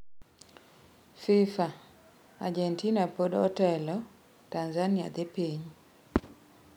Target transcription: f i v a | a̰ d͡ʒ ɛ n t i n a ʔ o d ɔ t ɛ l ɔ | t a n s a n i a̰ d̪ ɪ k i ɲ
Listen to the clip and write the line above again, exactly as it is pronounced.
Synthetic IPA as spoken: f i f a | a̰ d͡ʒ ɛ n t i n a p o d ɔ t ɛ l ɔ | t a n z a n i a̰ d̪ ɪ p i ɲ